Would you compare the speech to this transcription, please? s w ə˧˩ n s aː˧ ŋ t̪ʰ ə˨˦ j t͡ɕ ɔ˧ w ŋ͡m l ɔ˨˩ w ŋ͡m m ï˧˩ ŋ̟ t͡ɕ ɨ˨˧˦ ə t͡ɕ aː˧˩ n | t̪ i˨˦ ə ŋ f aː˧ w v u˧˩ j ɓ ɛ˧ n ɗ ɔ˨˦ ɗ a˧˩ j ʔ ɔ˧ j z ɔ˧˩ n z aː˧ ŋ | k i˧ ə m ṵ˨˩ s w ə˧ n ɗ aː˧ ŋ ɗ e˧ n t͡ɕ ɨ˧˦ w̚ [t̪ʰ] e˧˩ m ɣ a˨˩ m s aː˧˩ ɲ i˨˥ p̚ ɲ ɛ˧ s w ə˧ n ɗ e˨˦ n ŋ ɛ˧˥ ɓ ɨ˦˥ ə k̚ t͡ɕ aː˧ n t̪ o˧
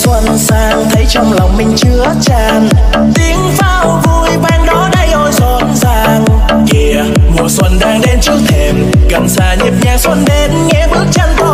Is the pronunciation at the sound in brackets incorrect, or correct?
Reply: correct